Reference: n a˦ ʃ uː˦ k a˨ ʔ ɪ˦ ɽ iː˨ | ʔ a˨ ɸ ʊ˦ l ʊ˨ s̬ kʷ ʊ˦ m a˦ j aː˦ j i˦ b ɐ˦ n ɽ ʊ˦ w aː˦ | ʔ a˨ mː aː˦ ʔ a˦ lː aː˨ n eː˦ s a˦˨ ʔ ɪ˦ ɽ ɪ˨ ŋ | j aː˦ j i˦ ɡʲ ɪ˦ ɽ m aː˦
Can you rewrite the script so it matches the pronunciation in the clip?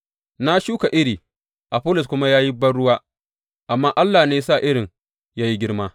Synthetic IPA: n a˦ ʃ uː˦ k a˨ ʔ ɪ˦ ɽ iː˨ | ʔ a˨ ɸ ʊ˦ l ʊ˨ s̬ kʷ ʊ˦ m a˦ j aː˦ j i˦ b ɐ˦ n ɽ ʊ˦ w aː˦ | ʔ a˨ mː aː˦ ʔ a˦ lː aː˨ n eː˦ s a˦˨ ʔ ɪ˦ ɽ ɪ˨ ŋ | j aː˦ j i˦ ɡʲ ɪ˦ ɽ m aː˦